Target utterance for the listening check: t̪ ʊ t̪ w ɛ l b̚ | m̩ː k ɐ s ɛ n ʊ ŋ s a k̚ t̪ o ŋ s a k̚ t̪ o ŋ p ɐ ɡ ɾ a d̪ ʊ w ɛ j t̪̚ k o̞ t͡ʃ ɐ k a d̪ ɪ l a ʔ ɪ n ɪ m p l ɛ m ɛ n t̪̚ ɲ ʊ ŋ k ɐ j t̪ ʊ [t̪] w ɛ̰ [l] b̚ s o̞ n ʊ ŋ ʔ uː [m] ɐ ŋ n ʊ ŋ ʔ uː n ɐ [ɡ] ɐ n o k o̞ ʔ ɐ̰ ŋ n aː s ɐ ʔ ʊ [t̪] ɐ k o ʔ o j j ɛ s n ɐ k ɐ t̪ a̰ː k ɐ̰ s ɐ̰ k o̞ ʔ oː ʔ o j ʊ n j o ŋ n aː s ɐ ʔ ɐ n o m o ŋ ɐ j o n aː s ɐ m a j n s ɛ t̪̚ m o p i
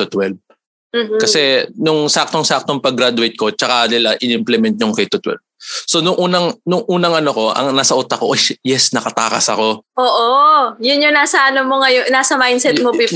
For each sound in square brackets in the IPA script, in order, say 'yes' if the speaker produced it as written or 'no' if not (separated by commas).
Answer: yes, yes, no, no, yes